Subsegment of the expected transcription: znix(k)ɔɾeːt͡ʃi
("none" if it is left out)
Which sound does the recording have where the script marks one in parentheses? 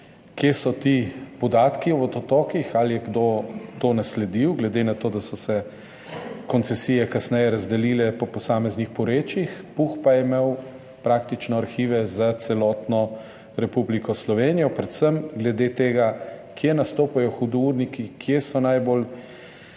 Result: p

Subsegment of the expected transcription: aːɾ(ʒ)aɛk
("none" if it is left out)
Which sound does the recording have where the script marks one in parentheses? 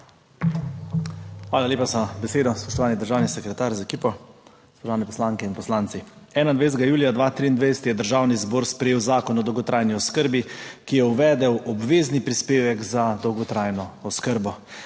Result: z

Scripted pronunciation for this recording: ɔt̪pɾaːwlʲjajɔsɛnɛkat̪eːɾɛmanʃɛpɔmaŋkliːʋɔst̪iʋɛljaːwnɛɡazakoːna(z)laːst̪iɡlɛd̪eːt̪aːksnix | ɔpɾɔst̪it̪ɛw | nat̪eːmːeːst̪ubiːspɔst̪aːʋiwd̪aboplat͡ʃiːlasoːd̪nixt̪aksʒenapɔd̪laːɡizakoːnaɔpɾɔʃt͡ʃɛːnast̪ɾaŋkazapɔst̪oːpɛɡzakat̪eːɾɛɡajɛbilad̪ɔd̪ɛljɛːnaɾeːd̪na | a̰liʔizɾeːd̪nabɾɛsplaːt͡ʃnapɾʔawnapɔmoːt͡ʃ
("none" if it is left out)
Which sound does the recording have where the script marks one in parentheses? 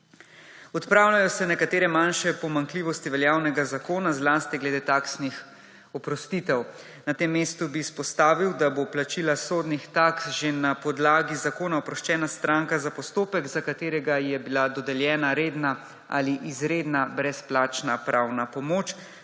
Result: z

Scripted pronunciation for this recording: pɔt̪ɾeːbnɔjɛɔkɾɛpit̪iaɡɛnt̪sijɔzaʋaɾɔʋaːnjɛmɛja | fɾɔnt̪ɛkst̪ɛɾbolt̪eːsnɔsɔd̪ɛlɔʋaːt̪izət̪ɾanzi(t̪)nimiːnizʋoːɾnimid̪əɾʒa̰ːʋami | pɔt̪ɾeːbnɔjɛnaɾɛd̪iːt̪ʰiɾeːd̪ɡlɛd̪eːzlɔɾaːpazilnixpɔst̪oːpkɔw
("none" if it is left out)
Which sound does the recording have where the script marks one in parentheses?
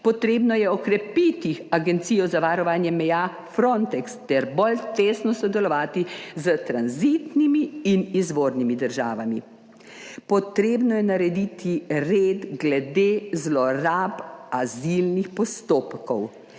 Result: t̪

